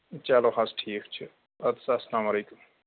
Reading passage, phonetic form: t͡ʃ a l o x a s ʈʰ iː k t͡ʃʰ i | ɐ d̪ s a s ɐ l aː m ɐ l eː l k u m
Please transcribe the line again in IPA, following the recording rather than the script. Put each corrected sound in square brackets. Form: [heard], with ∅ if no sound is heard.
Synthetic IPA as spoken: t͡ʃ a l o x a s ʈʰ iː k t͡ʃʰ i | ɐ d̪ s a s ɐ l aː m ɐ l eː [∅] k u m